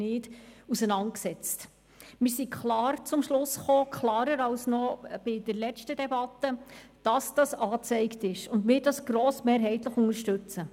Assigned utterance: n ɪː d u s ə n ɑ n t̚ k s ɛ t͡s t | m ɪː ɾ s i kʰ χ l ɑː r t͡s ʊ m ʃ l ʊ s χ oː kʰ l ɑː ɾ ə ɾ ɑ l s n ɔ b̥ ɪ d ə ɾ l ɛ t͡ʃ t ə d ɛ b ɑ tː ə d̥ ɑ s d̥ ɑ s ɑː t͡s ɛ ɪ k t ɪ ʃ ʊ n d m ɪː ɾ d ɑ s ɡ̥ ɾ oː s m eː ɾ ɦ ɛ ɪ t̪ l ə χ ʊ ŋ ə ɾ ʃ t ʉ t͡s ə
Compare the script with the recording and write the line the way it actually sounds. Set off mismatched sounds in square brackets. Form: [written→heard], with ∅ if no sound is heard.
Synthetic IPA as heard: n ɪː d u s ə n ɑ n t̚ k s ɛ t͡s t | m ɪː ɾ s i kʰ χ l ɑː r t͡s ʊ m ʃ l ʊ s χ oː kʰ l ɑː ɾ ə ɾ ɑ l s n ɔ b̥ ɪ d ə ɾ l ɛ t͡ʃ t ə d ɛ b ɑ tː ə d̥ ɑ s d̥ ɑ s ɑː t͡s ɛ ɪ k t ɪ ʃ ʊ n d m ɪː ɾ d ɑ s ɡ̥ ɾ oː s m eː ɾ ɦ ɛ ɪ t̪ l ə χ ʊ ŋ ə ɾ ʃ t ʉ t͡s ə